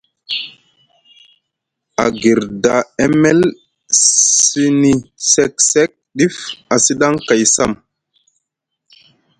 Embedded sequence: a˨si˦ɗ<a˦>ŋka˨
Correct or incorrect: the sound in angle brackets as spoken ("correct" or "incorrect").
correct